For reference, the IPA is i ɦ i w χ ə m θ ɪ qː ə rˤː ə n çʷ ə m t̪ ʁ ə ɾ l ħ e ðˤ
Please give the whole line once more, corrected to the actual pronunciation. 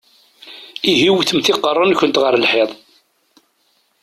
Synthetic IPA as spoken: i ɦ i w θ ə m θ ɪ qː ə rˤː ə n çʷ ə n t̪ ʁ ə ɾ l ħ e ðˤ

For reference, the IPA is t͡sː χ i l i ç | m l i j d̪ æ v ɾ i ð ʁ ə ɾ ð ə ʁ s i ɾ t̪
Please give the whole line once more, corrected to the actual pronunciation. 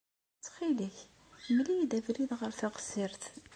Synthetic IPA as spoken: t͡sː χ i l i ç | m l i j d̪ æ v ɾ i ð ʁ ə ɾ θ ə ʁ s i ɾ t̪

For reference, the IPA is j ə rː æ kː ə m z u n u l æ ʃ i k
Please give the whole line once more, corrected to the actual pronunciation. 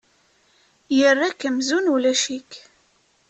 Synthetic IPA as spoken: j ə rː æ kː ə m z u n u l æ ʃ i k

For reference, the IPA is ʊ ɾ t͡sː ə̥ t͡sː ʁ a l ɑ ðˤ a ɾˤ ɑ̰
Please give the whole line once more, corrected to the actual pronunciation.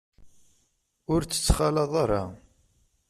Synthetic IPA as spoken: ʊ ɾ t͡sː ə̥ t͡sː χ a l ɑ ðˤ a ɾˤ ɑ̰

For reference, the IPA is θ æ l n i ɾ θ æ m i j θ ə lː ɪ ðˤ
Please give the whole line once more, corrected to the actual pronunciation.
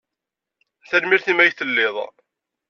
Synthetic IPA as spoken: θ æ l m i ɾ θ i m æ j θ ə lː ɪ ðˤ

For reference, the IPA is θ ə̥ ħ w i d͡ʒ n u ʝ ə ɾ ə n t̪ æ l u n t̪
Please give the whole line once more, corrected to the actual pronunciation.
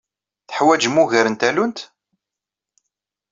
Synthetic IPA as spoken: θ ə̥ ħ w æ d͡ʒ m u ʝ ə ɾ ə n t̪ æ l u n t̪

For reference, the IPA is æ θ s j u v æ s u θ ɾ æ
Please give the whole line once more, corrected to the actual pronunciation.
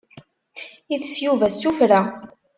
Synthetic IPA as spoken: i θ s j u v æ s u f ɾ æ

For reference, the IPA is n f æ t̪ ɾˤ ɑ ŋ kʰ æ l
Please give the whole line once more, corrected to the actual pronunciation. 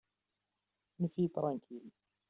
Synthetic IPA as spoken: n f i t̪ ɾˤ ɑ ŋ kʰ i l

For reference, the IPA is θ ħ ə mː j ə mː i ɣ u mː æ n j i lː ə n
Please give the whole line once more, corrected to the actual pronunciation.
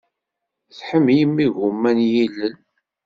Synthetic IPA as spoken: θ ħ ə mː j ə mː i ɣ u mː æ n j i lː ə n

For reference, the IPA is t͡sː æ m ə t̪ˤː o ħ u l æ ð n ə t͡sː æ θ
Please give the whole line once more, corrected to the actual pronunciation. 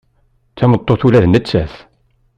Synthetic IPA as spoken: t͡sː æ m ə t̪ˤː o θ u l æ ð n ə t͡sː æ θ

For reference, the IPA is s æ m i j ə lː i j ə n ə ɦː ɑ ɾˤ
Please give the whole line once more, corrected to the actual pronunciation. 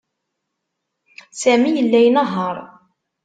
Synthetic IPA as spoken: s æ m i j ə lː æ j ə n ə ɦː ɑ ɾˤ

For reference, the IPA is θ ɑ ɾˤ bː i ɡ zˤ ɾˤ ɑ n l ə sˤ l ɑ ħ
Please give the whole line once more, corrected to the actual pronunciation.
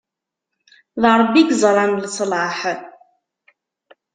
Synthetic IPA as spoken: ð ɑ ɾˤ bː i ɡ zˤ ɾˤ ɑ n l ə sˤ l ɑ ħ

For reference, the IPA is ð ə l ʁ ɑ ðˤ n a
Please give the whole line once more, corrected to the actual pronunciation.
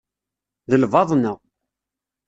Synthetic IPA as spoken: ð ə l v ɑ ðˤ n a

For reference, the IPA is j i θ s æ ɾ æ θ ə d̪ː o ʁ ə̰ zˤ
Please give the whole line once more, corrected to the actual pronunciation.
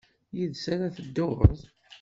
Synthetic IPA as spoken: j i ð s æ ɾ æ θ ə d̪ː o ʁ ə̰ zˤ

